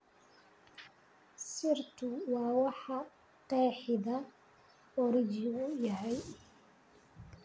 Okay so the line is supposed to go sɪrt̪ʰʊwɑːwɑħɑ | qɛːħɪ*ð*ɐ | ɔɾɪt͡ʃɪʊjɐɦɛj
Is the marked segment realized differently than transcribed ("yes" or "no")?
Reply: no